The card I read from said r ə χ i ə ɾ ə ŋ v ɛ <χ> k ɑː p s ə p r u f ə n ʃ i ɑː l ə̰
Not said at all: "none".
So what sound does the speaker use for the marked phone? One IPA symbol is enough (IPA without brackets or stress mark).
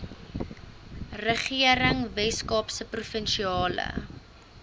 s